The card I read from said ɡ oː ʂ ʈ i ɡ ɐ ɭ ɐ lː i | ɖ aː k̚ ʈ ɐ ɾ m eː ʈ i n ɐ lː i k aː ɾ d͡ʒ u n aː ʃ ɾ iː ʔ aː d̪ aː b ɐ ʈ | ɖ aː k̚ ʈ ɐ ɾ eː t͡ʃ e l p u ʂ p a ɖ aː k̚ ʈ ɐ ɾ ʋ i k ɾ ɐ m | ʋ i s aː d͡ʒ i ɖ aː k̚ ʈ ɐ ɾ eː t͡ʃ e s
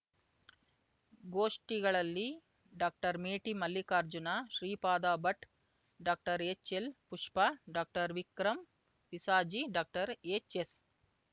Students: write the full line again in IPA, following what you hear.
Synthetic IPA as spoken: ɡ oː ʂ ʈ i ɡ ɐ ɭ ɐ lː i | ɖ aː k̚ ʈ ɐ ɾ m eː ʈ i m ɐ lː i k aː ɾ d͡ʒ u n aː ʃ ɾ iː p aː d̪ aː b ɐ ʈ | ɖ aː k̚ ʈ ɐ ɾ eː t͡ʃ e l p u ʂ p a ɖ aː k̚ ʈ ɐ ɾ ʋ i k ɾ ɐ m | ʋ i s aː d͡ʒ i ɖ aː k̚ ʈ ɐ ɾ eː t͡ʃ e s